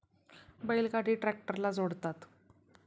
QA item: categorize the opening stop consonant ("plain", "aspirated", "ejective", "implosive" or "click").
plain